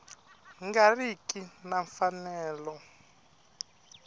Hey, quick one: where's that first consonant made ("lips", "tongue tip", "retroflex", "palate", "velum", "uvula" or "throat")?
velum